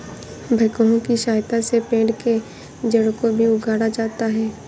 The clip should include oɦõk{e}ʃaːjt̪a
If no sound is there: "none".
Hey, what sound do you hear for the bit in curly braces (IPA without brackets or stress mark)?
i